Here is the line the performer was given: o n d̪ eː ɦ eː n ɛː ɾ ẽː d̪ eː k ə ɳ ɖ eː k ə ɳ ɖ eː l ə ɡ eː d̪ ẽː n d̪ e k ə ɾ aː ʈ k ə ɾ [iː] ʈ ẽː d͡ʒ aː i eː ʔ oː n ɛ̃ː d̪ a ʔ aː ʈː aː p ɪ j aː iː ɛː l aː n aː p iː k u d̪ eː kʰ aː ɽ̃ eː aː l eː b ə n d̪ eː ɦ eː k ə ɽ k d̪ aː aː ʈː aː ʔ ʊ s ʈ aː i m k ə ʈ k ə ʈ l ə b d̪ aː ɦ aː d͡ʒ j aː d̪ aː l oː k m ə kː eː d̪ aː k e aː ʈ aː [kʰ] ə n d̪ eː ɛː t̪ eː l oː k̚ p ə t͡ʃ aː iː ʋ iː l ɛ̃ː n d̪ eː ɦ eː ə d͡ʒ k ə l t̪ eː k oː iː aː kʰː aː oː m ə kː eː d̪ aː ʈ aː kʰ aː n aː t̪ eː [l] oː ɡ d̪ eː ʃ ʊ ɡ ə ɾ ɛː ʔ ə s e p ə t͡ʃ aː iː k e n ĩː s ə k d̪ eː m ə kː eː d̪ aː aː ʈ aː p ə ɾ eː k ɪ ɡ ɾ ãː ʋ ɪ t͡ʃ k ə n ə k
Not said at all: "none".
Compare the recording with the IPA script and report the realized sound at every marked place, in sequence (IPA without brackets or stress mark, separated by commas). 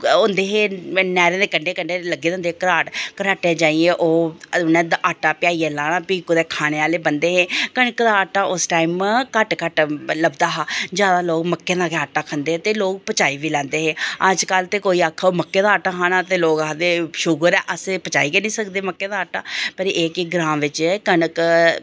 aː, kʰ, l